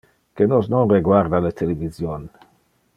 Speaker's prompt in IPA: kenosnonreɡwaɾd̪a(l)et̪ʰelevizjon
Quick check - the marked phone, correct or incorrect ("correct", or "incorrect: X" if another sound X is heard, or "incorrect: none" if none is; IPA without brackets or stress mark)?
correct